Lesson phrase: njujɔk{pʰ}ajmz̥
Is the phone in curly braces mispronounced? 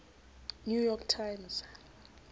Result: yes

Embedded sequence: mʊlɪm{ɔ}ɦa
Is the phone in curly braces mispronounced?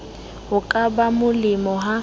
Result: no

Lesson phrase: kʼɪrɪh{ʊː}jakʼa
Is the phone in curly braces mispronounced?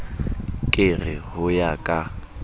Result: yes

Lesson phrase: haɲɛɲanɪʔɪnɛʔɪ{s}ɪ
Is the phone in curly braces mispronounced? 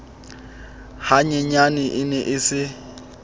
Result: no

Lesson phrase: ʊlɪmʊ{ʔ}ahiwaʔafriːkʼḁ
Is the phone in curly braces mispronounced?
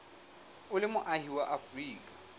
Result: no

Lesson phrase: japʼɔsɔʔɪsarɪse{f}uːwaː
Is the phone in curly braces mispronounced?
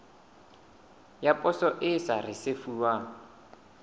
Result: no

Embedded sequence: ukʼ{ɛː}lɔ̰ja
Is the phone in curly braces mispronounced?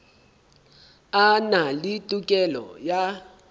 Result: yes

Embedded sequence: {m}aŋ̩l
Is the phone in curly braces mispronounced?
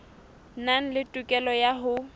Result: yes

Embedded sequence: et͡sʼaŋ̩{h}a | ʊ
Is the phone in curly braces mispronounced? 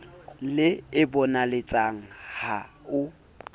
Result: no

